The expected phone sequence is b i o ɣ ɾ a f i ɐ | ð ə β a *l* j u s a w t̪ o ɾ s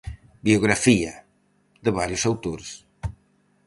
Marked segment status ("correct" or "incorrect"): incorrect